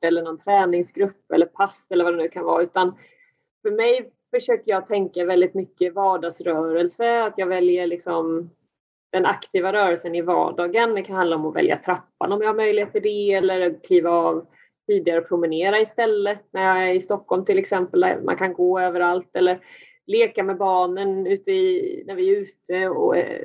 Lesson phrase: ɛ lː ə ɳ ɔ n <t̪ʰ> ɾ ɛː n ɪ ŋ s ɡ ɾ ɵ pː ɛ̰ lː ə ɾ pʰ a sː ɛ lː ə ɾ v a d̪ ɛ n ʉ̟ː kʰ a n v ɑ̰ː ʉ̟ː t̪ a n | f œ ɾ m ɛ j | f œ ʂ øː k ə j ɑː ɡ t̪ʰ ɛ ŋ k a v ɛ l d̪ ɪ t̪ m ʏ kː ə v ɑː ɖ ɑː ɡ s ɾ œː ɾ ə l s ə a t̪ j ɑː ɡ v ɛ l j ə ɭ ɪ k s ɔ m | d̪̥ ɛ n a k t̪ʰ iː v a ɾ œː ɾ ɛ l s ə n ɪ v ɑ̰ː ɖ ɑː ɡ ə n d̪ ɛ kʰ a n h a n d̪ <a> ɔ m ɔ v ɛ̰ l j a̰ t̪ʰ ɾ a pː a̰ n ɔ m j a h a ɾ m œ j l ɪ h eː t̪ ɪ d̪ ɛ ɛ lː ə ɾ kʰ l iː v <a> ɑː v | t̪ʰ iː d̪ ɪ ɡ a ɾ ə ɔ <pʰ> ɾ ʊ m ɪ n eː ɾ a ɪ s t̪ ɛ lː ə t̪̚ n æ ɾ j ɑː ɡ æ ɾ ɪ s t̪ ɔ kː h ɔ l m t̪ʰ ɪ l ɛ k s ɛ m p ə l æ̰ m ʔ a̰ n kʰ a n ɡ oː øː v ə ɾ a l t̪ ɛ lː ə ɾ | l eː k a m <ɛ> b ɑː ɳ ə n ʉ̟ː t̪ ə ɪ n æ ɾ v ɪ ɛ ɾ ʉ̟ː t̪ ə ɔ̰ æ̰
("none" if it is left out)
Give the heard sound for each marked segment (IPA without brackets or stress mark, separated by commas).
t̪ʰ, a, a, pʰ, ɛ